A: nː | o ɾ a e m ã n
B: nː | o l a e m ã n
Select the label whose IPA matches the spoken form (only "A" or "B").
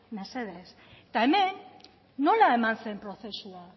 B